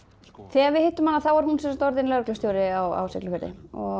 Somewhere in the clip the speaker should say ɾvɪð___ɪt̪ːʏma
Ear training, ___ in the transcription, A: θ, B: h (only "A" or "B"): B